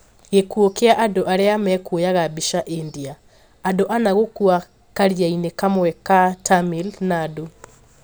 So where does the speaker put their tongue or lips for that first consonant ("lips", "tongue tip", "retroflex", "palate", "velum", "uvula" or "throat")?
velum